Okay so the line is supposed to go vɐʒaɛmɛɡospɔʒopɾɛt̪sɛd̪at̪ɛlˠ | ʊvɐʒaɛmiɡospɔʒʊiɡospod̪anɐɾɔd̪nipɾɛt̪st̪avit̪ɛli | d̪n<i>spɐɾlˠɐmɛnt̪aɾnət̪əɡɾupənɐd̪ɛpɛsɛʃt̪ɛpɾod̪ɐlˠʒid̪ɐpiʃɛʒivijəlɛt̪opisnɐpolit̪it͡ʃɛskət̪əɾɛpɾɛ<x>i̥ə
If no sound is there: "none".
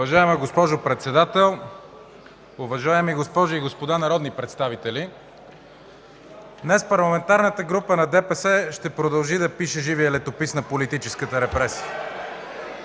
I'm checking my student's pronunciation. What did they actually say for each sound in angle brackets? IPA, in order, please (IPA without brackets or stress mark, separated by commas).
ɛ, s